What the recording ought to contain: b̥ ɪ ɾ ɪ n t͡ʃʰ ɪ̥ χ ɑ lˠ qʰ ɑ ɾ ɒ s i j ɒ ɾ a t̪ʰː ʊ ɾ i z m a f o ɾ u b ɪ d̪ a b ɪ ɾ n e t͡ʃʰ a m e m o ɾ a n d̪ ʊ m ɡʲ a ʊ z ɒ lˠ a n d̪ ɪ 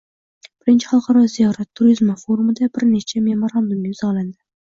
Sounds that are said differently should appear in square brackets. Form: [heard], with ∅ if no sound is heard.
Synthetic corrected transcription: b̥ ɪ ɾ ɪ n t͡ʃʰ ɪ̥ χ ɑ lˠ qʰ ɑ ɾ ɒ [z] i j ɒ ɾ a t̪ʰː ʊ ɾ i z m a f o ɾ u [m] ɪ d̪ a b ɪ ɾ n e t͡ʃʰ a m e m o ɾ a n d̪ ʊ m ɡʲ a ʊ z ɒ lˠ a n d̪ ɪ